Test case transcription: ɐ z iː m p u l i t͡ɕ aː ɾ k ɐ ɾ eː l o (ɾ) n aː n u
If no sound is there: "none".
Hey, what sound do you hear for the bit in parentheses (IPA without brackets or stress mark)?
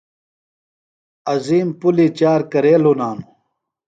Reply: none